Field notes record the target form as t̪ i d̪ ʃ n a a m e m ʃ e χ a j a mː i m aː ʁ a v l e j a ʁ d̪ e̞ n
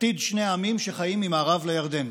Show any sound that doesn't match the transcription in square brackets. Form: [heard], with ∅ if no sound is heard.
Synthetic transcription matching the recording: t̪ i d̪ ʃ n [e] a m [i] m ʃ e χ a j [i] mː i m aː ʁ a v l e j a ʁ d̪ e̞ n